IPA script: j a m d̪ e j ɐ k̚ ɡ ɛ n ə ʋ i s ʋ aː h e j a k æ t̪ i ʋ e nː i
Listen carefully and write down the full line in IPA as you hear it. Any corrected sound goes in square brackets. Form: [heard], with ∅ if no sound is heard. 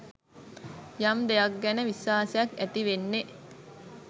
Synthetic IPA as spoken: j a m d̪ e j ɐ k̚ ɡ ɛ n ə ʋ i s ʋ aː [s] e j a k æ t̪ i ʋ e nː [e]

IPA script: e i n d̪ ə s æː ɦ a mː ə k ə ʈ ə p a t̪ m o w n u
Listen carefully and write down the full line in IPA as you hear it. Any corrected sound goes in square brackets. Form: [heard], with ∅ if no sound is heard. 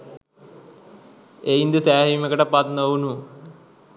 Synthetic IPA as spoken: e i n d̪ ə s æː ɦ [i] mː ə k ə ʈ ə p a t̪ [n] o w n u

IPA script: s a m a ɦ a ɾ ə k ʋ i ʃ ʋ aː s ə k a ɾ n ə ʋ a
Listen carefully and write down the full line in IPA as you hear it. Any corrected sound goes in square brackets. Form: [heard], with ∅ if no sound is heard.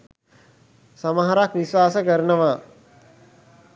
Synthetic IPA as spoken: s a m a ɦ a ɾ [a] k ʋ i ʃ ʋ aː s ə k [ə] ɾ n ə ʋ a

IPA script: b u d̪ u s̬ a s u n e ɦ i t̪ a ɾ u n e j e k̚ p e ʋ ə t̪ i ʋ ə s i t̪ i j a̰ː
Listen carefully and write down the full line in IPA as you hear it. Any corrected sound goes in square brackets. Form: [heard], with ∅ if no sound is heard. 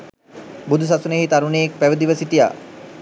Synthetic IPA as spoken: b u d̪ u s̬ a s u n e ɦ i t̪ a ɾ u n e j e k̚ p [æ] ʋ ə [d̪] i ʋ ə s i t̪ i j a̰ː

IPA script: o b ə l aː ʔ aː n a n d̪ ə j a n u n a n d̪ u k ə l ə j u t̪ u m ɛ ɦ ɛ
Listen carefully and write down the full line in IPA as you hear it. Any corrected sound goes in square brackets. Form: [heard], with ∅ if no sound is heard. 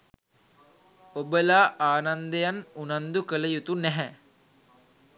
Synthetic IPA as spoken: o b ə l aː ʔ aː n a n d̪ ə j a n u n a n d̪ u k ə l ə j u t̪ u [n] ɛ ɦ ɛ

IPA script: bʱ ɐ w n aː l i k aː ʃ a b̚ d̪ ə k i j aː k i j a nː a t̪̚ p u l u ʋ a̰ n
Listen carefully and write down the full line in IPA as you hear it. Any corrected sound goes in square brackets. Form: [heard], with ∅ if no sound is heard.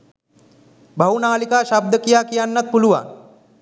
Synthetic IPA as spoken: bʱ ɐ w n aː l i k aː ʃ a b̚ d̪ ə k i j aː k i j a nː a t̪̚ p u l u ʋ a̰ n

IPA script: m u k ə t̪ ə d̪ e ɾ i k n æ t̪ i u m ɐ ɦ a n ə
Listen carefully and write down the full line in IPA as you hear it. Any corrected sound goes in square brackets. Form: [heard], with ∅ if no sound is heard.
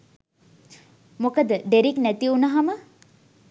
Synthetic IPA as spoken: m [o] k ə [d̪] ə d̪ e ɾ i k n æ t̪ i u [n] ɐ ɦ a [m] ə

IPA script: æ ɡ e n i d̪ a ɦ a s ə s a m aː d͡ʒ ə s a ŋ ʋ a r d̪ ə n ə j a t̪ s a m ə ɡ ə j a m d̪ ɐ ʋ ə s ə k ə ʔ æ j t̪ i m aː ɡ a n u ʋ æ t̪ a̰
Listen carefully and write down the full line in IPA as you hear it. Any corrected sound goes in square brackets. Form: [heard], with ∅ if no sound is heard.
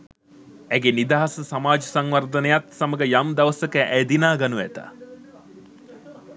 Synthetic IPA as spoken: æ ɡ e n i d̪ a ɦ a s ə s a m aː d͡ʒ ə s a ŋ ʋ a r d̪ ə n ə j a t̪ s a m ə ɡ ə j a m d̪ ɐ ʋ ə s ə k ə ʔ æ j [d̪] i [n] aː ɡ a n u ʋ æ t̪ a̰

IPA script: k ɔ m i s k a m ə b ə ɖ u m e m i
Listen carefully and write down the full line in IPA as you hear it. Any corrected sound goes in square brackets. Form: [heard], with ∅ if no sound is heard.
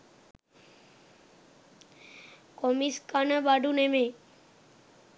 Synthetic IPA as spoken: k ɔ m i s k a [n] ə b [a] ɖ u [n] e m [e]

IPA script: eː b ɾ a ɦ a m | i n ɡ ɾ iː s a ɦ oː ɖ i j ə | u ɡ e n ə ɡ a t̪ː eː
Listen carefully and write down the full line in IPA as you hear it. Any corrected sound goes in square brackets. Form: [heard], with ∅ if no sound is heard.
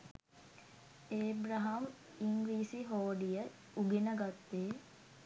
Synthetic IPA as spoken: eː b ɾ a ɦ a m | i [ŋ] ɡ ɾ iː s [i] ɦ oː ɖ i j ə | u ɡ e n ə ɡ a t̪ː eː

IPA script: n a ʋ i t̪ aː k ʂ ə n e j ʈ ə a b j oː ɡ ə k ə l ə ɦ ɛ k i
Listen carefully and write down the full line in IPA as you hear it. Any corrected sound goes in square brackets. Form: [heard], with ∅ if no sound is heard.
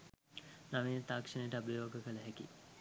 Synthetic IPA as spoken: n a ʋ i t̪ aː k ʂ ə n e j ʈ ə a b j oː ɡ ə k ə l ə ɦ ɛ k i

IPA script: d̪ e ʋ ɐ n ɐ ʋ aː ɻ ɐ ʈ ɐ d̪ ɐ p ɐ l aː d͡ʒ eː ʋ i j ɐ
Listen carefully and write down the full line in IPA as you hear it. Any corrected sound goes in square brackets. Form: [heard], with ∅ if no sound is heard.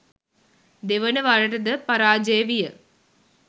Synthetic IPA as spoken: d̪ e ʋ ɐ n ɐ ʋ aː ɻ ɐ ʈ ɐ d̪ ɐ p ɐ [ɾ] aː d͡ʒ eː ʋ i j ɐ

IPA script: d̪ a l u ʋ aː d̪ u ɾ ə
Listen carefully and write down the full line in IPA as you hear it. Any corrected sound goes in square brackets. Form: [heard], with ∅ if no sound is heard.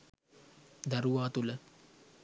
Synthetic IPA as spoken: d̪ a [ɾ] u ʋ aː [t̪] u [l] ə

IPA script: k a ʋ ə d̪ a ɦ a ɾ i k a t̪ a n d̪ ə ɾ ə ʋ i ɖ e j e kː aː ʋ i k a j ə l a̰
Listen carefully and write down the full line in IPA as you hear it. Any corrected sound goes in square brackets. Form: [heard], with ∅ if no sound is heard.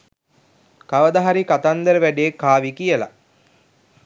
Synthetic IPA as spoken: k a ʋ ə d̪ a ɦ a ɾ i k a t̪ a n d̪ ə ɾ ə ʋ [æ] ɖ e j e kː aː ʋ i k [i] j ə l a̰

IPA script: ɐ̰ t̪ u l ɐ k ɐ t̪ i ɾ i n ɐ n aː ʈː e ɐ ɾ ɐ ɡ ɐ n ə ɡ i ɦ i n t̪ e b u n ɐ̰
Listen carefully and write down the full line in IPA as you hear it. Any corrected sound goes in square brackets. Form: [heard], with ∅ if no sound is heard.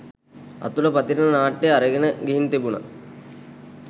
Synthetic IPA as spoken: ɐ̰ t̪ u l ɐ [p] ɐ t̪ i ɾ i n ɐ n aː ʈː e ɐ ɾ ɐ ɡ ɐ n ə ɡ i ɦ i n t̪ e b u n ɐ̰

